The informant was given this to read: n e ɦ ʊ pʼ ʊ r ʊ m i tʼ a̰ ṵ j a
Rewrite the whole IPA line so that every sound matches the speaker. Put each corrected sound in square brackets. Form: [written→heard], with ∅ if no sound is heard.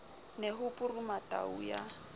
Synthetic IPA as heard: n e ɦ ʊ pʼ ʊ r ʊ m [i→a] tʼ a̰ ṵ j a